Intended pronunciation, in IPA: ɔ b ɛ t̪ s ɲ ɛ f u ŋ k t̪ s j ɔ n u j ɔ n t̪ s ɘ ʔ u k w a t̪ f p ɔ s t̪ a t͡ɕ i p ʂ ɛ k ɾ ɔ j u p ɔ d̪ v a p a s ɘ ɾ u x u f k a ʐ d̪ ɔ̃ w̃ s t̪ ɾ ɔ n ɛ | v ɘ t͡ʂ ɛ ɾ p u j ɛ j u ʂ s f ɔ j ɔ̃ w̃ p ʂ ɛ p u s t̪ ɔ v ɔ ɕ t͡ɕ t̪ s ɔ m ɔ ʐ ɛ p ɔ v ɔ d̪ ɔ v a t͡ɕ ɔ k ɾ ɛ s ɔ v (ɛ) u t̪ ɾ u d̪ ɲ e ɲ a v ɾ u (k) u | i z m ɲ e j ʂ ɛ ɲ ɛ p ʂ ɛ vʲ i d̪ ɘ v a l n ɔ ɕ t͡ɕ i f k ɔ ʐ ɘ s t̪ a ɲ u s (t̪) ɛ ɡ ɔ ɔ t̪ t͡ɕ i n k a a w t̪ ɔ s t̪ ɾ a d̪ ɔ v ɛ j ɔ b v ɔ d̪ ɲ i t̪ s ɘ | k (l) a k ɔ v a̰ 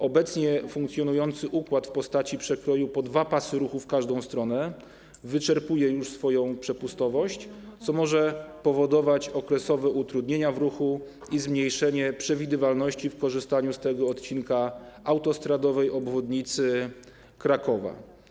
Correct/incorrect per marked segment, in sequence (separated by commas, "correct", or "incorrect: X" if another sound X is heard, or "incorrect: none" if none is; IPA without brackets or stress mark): correct, incorrect: x, correct, incorrect: ɾ